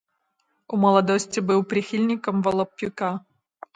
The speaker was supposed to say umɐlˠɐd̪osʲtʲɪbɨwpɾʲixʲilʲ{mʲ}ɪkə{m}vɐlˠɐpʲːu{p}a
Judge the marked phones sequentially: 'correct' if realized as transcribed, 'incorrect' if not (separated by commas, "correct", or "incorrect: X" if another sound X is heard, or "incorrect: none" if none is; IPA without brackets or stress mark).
incorrect: nʲ, correct, incorrect: k